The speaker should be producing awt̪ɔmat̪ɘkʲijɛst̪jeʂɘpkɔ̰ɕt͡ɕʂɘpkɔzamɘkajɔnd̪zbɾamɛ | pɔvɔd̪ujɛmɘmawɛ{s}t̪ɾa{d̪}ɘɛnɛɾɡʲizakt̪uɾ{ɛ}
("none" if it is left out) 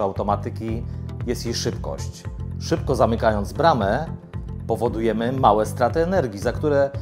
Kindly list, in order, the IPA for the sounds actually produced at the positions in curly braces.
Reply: s, t̪, ɛ

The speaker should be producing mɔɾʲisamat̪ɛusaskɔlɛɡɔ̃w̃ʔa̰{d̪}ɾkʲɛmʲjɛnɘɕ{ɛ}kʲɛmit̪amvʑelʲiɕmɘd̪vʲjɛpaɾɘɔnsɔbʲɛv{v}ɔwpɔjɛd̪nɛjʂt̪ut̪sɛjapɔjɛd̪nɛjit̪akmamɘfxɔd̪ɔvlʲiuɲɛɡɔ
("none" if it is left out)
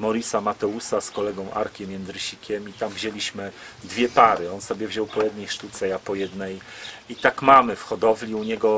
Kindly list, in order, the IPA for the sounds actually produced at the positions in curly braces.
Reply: none, i, ʑ

